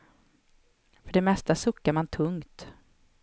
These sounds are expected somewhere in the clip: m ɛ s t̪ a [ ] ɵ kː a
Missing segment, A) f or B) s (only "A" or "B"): B